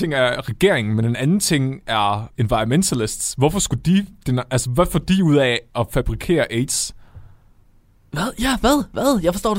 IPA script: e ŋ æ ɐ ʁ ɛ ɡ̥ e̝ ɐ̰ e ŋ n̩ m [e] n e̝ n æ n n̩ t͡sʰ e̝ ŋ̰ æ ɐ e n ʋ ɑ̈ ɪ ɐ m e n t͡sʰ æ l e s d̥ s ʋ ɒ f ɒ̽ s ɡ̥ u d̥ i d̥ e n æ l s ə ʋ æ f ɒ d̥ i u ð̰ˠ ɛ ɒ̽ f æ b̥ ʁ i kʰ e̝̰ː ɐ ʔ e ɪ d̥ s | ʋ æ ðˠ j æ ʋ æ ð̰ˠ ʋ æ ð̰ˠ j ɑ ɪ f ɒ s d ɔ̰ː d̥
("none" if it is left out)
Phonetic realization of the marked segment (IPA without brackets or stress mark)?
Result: e